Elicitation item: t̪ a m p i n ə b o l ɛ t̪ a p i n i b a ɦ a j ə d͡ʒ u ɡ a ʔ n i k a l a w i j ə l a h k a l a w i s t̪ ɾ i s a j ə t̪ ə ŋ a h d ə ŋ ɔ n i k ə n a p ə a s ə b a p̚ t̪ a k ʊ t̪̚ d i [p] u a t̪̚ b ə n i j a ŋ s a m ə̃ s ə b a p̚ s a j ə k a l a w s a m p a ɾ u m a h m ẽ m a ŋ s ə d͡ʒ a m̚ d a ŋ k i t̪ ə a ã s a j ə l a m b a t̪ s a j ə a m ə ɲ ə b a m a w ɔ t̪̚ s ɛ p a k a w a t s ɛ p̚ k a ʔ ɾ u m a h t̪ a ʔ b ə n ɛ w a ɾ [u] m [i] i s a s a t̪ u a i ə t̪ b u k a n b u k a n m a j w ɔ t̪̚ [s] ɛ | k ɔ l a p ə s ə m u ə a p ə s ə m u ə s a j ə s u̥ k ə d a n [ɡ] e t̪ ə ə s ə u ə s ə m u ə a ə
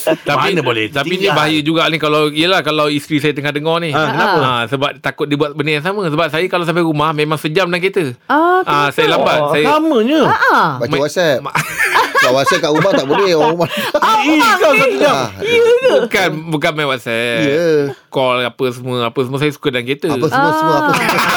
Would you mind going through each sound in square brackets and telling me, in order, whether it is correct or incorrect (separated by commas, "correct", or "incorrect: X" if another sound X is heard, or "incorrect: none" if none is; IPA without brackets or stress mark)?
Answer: incorrect: b, correct, incorrect: a, correct, incorrect: k